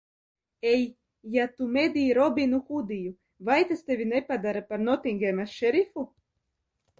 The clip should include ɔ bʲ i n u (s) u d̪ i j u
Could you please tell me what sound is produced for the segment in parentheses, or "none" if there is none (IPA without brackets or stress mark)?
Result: x